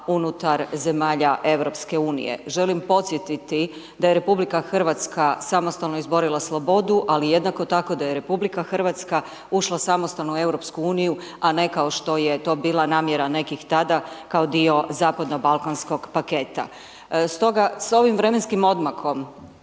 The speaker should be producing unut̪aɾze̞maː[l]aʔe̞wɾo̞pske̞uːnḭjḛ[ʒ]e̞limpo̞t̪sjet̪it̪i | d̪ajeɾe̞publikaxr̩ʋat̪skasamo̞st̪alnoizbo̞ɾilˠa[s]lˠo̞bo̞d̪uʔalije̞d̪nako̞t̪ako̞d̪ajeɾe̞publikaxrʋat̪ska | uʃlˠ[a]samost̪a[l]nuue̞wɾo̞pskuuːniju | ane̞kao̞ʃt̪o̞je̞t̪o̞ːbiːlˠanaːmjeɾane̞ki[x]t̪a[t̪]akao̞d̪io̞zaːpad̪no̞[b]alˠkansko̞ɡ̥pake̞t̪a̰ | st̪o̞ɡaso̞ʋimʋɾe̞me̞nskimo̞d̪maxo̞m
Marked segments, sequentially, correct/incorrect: incorrect: ʎ, correct, correct, correct, correct, correct, incorrect: d̪, correct

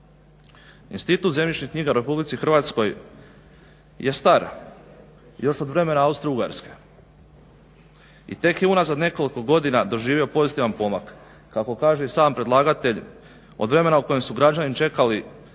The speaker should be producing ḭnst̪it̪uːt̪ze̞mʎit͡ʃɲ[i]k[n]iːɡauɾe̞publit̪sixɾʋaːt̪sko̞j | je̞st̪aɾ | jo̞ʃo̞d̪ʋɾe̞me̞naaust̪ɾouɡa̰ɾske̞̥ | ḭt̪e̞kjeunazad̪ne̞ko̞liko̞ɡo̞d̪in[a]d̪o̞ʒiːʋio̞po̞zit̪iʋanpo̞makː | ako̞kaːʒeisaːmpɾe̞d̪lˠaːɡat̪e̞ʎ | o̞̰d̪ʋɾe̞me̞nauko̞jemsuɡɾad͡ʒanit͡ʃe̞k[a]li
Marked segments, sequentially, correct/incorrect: correct, incorrect: ɲ, correct, correct

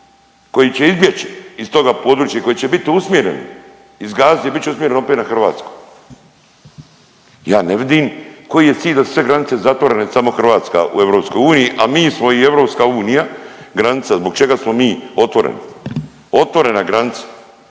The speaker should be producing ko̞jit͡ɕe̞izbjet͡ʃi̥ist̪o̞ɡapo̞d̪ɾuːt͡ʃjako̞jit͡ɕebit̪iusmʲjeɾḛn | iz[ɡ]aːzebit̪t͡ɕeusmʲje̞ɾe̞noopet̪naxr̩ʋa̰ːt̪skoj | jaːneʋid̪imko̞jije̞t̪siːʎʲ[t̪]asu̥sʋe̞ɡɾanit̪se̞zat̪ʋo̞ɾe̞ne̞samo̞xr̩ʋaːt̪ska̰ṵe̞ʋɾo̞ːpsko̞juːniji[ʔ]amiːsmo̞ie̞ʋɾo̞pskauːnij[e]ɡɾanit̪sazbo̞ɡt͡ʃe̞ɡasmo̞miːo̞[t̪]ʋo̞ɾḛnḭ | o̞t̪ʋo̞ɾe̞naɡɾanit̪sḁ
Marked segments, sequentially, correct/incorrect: correct, incorrect: d̪, correct, incorrect: a, correct

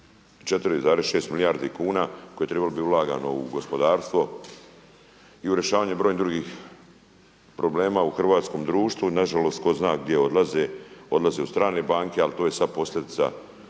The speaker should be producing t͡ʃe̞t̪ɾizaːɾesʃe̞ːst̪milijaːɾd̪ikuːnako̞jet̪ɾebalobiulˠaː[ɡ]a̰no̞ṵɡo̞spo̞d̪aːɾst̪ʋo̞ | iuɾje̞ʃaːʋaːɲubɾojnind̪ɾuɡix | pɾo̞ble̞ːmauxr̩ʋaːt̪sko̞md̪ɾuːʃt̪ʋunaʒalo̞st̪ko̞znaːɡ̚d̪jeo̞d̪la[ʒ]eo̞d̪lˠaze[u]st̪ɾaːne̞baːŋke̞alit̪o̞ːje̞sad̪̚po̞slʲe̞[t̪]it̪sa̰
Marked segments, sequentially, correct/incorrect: correct, incorrect: z, correct, incorrect: d̪

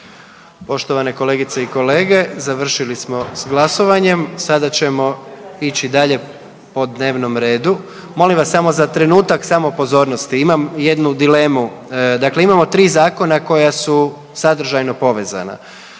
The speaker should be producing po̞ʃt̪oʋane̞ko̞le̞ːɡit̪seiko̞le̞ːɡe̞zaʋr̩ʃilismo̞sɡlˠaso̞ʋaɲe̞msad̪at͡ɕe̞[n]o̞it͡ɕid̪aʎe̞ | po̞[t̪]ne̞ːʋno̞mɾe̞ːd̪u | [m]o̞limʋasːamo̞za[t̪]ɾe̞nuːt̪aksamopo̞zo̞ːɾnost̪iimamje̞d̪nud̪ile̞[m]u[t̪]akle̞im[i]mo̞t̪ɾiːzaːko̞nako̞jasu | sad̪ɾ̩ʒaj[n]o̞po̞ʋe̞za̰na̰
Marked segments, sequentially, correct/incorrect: incorrect: m, incorrect: d̪, correct, correct, correct, incorrect: d̪, incorrect: a, correct

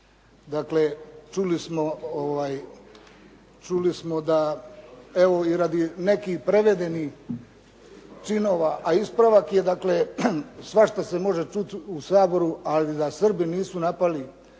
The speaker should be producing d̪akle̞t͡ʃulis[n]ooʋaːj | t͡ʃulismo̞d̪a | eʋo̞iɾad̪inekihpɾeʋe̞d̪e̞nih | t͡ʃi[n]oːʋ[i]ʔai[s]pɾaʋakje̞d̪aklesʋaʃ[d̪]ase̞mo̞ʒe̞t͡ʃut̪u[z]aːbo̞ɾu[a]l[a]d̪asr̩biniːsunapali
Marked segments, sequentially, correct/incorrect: incorrect: m, correct, incorrect: a, correct, incorrect: t̪, incorrect: s, correct, incorrect: i

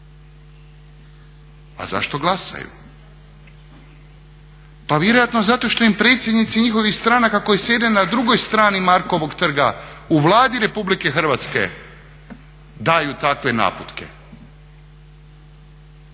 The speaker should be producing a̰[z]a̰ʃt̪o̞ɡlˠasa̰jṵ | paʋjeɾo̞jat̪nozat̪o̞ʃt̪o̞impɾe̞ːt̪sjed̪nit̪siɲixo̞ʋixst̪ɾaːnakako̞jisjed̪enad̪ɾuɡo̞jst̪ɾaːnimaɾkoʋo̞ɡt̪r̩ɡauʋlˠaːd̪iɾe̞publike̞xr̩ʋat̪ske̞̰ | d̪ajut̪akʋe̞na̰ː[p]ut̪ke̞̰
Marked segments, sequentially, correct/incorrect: correct, correct

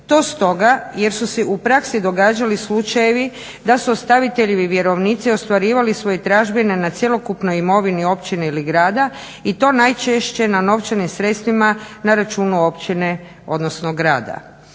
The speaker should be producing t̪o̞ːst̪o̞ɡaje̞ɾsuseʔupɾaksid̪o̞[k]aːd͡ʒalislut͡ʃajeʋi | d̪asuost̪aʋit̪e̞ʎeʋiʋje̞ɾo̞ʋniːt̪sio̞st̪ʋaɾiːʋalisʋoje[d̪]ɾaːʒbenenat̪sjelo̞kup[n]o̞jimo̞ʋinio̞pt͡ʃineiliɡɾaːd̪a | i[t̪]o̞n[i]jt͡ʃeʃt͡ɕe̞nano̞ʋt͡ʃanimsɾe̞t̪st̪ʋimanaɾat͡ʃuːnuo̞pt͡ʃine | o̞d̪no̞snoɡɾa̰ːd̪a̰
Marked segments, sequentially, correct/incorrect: incorrect: ɡ, incorrect: t̪, correct, correct, incorrect: a

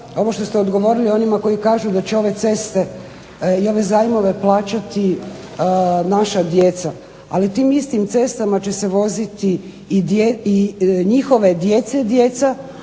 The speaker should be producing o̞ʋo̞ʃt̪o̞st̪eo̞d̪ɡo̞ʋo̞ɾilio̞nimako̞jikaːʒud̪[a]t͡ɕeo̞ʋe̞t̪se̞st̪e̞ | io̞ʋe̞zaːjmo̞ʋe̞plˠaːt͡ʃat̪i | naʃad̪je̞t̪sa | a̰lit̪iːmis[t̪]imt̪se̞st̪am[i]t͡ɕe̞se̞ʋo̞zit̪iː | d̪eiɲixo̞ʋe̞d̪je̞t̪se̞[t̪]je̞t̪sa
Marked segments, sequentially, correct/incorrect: correct, correct, incorrect: a, incorrect: d̪

